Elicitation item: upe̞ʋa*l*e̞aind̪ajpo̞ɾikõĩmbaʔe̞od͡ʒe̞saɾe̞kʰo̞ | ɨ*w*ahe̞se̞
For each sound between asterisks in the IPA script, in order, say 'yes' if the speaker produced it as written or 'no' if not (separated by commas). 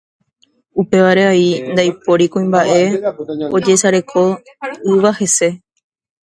no, no